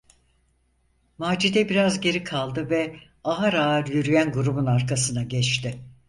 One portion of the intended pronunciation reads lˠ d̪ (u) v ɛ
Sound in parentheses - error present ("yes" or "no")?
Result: yes